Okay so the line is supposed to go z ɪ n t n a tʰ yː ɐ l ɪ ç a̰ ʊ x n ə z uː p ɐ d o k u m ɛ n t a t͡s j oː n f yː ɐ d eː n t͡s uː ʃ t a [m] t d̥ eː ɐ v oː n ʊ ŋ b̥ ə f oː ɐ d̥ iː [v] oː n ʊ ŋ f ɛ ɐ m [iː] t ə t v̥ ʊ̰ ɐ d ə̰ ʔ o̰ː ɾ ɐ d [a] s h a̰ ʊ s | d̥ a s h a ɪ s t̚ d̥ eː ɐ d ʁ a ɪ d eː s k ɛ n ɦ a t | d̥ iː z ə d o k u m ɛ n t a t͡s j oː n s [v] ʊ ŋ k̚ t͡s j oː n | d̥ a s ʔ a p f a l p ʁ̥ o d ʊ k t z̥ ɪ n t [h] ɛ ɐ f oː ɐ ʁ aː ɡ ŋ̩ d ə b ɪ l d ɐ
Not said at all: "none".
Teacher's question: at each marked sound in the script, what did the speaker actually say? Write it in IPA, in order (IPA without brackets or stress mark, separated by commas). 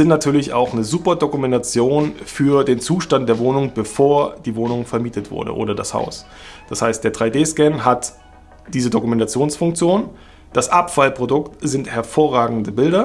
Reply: n, v, iː, a, f, h